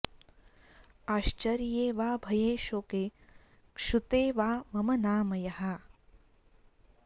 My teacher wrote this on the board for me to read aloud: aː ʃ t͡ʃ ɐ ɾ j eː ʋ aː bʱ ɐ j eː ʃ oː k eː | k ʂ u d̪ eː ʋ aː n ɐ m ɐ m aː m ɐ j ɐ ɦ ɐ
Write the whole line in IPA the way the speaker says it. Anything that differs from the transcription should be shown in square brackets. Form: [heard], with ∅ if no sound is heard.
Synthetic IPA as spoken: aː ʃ t͡ʃ ɐ ɾ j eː ʋ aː bʱ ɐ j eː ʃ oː k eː | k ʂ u [t̪] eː ʋ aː [m] ɐ m ɐ [n] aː m ɐ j ɐ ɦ ɐ

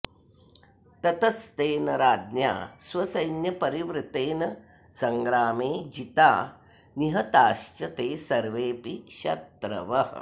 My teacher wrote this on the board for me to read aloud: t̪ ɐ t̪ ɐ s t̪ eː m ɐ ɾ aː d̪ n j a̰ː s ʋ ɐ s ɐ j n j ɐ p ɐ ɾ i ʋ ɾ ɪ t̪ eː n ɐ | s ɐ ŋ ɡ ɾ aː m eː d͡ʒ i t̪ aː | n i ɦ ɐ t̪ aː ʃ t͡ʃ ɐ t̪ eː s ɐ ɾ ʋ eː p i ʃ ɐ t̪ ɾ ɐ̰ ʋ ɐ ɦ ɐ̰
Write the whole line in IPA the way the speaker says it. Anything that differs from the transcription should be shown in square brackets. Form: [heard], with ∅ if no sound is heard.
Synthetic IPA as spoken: t̪ ɐ t̪ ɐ s t̪ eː [n] ɐ ɾ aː d̪ n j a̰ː s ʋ ɐ s ɐ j n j ɐ p ɐ ɾ i ʋ ɾ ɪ t̪ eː n ɐ | s ɐ ŋ ɡ ɾ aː m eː d͡ʒ i t̪ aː | n i ɦ ɐ t̪ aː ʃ t͡ʃ ɐ t̪ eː s ɐ ɾ ʋ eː p i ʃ ɐ t̪ ɾ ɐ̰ ʋ ɐ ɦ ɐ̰

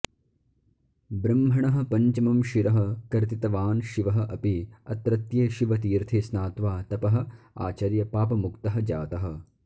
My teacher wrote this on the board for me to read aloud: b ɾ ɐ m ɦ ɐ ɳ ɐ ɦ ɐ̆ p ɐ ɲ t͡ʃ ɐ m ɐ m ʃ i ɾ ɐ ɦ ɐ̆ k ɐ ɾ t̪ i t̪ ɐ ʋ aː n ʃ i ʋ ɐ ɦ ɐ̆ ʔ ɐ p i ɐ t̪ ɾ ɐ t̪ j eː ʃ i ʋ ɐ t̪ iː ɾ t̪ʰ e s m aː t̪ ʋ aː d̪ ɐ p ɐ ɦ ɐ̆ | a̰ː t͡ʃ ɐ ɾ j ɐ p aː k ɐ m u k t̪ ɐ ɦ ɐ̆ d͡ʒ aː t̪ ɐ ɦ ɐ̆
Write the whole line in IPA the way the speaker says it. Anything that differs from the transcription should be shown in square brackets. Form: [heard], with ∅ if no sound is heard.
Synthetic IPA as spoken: b ɾ ɐ m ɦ ɐ ɳ ɐ ɦ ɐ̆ p ɐ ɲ t͡ʃ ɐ m ɐ m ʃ i ɾ ɐ ɦ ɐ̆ k ɐ ɾ t̪ i t̪ ɐ ʋ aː n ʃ i ʋ ɐ ɦ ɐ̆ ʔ ɐ p i ɐ t̪ ɾ ɐ t̪ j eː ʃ i ʋ ɐ t̪ iː ɾ t̪ʰ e s [n] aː t̪ ʋ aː [t̪] ɐ p ɐ ɦ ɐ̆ | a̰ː t͡ʃ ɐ ɾ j ɐ p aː [p] ɐ m u k t̪ ɐ ɦ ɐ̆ d͡ʒ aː t̪ ɐ ɦ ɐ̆

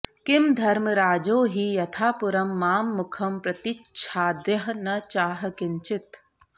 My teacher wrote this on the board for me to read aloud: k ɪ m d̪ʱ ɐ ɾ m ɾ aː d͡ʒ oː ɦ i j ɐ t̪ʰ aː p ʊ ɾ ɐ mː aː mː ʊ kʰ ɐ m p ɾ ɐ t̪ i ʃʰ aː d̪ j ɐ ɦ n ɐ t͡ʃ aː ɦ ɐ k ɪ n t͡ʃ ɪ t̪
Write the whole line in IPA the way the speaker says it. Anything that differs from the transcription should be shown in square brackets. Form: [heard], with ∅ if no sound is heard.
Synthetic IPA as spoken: k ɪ m d̪ʱ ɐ ɾ m ɾ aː d͡ʒ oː ɦ i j ɐ t̪ʰ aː p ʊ ɾ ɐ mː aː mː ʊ kʰ ɐ m p ɾ ɐ t̪ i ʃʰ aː d̪ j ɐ ɦ n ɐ t͡ʃ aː ɦ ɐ k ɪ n t͡ʃ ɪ t̪

